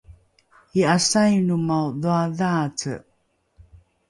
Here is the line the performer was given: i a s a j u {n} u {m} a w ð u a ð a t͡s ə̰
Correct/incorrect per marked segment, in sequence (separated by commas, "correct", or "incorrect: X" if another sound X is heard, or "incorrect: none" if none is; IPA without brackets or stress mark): correct, correct